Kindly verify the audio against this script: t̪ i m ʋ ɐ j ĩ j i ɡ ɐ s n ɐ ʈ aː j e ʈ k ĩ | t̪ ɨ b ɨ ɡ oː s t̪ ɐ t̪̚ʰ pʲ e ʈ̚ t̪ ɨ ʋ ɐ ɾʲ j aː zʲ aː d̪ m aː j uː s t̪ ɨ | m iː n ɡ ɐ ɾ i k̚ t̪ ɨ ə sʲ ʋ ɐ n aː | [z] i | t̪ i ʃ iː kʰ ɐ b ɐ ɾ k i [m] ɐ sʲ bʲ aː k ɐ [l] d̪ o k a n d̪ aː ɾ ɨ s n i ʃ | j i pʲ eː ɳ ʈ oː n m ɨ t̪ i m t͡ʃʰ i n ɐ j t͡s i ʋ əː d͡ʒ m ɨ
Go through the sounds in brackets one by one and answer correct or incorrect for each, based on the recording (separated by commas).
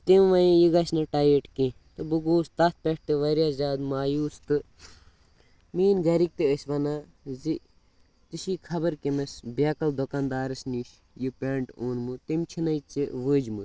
correct, correct, correct